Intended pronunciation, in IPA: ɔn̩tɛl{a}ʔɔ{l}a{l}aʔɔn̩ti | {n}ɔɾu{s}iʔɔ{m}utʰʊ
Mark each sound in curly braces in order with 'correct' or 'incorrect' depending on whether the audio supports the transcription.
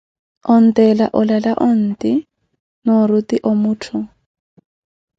correct, correct, correct, correct, incorrect: t, correct

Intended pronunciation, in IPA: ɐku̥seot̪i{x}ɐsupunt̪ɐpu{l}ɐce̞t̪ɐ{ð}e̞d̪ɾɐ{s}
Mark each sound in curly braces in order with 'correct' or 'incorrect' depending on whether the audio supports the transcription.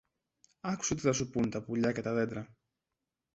incorrect: θ, incorrect: ʎ, correct, incorrect: none

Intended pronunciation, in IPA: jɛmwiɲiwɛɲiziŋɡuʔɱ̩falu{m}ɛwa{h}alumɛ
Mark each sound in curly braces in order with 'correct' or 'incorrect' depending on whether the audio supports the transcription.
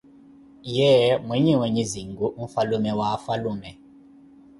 correct, incorrect: f

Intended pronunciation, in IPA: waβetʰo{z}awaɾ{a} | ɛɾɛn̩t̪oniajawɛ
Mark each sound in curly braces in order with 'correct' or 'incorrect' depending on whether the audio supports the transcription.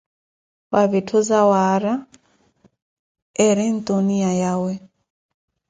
correct, correct

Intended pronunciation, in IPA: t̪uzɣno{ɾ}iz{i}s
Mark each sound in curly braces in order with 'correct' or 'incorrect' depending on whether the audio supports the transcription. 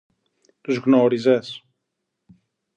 correct, incorrect: e

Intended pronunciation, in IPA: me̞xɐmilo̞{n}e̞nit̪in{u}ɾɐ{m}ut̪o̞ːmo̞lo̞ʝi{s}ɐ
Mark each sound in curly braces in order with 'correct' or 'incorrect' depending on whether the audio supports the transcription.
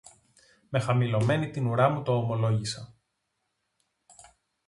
incorrect: m, correct, correct, correct

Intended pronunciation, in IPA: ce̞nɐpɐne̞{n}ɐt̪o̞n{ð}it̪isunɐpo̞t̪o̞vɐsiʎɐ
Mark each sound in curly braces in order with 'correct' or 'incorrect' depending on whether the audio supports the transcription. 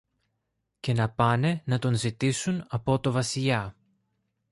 correct, incorrect: z

